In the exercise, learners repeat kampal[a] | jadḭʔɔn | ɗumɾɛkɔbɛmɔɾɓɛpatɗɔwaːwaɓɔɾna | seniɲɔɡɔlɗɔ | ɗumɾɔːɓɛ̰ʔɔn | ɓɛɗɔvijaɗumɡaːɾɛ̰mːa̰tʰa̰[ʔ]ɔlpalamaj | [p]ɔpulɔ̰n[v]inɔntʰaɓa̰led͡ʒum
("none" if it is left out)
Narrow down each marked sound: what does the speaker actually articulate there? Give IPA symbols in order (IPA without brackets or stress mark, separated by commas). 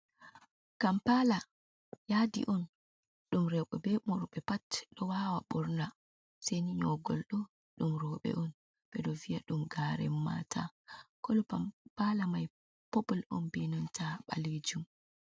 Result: a, k, p, b